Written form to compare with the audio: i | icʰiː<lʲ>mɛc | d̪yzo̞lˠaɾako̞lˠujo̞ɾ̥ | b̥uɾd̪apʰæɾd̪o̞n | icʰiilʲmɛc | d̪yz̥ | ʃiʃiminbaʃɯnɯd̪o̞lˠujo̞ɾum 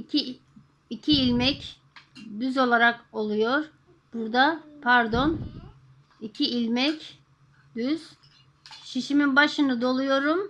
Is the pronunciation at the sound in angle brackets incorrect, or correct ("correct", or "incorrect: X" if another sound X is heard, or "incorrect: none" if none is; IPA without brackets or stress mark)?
correct